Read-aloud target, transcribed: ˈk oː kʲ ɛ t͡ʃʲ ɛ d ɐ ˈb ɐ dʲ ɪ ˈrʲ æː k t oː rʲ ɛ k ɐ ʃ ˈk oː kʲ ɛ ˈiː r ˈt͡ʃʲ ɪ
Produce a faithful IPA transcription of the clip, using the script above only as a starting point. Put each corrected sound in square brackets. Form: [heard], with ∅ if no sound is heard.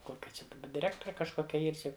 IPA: ˈk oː kʲ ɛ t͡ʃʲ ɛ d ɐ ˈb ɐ dʲ ɪ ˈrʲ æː k t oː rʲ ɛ k ɐ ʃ ˈk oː kʲ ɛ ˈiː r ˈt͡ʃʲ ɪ